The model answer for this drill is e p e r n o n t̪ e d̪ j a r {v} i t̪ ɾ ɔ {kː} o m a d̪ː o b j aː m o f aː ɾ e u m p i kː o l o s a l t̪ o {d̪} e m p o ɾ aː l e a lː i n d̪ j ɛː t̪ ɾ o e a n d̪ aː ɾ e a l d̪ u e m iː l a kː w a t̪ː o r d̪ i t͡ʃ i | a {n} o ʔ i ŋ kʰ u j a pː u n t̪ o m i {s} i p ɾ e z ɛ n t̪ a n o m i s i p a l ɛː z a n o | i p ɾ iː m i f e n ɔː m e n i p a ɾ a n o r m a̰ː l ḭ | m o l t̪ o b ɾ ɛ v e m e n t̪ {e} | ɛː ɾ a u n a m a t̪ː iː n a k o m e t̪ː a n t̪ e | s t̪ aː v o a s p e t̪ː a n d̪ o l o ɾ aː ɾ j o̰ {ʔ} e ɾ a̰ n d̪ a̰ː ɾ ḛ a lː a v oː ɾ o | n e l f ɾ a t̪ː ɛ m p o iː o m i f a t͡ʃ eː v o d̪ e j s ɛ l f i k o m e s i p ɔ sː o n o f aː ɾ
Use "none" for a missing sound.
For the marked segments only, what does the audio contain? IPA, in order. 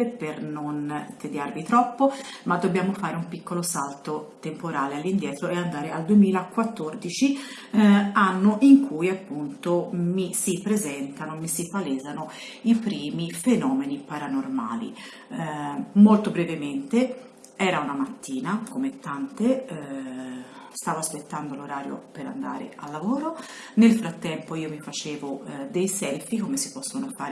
v, pː, t̪, nː, s, e, p

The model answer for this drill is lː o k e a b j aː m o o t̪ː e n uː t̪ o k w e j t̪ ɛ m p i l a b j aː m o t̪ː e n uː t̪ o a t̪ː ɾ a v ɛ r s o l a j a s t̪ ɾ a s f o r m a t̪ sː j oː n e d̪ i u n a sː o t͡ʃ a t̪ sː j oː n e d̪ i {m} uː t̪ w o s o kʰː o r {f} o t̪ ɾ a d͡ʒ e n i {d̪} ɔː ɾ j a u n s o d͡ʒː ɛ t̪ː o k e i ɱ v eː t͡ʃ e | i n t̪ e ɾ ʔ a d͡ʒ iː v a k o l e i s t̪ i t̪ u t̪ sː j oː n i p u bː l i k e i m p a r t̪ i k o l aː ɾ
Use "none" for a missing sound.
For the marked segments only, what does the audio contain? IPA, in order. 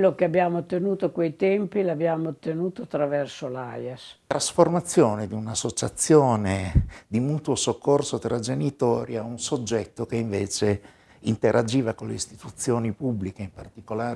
m, s, t̪

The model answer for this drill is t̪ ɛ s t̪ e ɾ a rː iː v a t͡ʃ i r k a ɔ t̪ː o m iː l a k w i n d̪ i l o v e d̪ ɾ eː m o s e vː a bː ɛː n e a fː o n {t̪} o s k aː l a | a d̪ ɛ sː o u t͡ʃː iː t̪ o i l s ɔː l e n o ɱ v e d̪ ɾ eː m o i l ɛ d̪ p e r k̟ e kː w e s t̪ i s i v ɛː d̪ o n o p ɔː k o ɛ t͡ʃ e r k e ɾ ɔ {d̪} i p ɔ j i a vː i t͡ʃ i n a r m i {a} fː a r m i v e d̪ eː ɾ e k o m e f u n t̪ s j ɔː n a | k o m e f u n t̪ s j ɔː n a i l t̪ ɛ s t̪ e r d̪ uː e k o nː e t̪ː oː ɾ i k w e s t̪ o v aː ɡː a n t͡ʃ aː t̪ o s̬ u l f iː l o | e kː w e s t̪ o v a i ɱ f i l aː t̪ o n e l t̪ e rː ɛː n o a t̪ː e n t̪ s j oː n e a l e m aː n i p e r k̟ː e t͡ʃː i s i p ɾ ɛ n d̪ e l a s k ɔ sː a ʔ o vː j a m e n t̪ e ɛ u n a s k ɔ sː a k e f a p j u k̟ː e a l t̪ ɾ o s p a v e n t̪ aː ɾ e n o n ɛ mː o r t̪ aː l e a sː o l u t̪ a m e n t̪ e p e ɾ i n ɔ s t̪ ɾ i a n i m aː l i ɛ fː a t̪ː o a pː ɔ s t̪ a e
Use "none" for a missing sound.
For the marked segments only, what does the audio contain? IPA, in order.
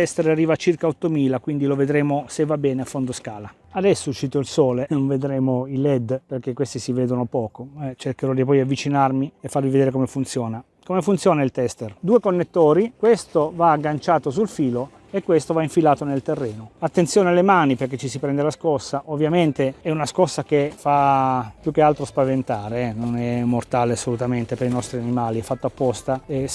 d̪, d̪, e

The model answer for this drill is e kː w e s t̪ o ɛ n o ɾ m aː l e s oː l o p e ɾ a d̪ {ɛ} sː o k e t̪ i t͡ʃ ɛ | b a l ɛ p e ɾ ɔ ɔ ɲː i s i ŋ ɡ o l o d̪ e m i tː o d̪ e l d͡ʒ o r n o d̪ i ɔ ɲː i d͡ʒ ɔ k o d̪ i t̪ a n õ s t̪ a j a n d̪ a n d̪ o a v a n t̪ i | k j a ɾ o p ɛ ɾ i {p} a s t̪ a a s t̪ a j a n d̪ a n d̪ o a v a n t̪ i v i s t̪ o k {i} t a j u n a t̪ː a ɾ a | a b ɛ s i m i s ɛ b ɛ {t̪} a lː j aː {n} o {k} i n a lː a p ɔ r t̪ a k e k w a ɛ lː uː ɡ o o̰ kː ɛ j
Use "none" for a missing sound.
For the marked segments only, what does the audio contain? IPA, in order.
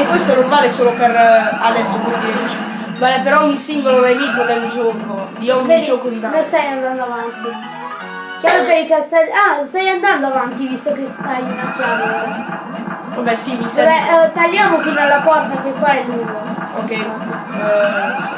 ɛ, k, e, t̪, m, k

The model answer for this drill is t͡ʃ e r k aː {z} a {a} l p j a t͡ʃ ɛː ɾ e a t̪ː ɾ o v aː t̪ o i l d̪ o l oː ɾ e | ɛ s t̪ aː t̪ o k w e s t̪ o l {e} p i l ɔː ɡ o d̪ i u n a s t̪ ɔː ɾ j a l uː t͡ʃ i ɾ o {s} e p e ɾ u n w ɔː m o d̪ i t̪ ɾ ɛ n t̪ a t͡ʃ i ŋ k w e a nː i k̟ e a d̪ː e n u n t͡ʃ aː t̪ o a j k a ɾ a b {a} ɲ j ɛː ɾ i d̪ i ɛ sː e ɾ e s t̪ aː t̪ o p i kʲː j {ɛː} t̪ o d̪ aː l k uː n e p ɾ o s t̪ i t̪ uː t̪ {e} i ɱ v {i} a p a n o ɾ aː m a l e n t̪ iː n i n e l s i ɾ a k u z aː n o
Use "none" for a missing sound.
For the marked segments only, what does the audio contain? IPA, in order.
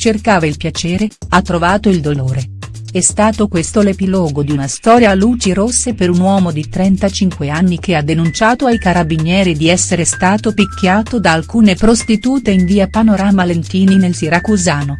v, i, e, sː, i, aː, e, iː

